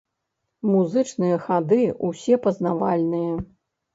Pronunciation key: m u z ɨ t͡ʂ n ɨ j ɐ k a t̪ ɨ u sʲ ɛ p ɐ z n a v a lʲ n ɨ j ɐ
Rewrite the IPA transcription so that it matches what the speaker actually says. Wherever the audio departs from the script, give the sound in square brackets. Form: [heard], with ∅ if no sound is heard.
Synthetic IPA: m u z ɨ t͡ʂ n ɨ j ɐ [x] a [d̪] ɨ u sʲ ɛ p ɐ z n a v a lʲ n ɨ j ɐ